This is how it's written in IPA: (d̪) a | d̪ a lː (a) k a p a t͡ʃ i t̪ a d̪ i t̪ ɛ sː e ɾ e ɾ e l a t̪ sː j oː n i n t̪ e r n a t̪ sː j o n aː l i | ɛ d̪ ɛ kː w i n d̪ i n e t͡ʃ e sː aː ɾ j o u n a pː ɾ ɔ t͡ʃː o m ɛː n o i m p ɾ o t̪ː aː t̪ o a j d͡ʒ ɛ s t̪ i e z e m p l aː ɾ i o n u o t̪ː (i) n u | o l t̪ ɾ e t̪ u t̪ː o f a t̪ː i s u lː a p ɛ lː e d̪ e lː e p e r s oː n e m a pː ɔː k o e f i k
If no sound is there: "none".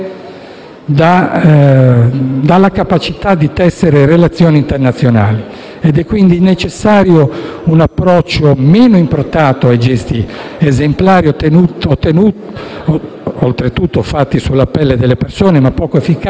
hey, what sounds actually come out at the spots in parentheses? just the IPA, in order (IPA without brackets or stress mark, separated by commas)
d̪, a, e